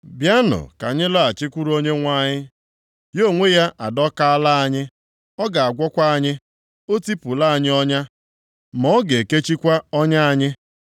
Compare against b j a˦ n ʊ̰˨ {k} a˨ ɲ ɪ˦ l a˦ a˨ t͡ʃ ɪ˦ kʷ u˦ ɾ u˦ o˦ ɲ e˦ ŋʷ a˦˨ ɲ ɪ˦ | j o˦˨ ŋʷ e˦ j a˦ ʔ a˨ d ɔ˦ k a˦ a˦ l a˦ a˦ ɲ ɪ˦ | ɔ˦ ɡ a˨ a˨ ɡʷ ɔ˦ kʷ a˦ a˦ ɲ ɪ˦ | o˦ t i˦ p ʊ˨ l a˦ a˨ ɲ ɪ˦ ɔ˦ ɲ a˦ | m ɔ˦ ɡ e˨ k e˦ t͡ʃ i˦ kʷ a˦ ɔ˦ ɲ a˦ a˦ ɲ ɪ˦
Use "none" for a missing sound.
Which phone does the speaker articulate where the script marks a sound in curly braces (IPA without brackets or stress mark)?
k